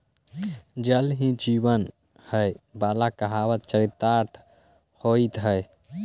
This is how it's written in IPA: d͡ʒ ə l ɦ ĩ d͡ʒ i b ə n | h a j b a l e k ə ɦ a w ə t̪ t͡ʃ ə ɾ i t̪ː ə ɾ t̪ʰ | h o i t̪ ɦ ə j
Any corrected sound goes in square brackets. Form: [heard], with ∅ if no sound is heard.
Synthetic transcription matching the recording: d͡ʒ ə l ɦ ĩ d͡ʒ i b ə n | h [ə] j b a l [a] k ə ɦ a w ə t̪ t͡ʃ ə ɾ i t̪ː [a] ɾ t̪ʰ | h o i t̪ ɦ ə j